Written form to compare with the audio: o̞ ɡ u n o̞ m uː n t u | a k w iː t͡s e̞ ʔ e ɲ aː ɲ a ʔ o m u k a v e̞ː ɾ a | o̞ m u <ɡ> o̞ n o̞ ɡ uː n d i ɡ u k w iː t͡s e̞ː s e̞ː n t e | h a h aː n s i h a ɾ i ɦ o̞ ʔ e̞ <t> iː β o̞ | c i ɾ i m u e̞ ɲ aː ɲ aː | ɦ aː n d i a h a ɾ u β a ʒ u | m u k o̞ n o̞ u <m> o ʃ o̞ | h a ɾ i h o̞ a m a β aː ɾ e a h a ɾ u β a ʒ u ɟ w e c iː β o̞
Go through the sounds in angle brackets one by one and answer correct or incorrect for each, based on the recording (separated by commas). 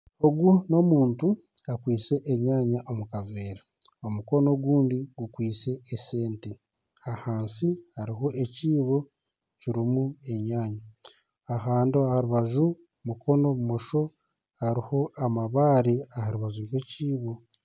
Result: incorrect, incorrect, correct